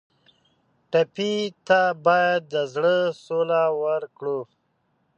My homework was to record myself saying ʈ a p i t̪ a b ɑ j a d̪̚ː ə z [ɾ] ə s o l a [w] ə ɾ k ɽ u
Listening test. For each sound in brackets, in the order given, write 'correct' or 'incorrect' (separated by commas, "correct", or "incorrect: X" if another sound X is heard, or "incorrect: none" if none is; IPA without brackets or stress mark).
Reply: incorrect: ɽ, correct